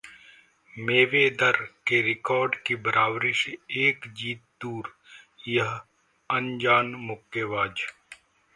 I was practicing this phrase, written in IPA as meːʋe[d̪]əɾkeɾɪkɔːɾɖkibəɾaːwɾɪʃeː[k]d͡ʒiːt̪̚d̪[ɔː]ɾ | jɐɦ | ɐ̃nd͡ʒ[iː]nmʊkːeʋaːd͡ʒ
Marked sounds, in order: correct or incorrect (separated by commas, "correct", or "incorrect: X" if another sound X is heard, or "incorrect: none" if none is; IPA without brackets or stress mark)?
correct, correct, incorrect: uː, incorrect: aː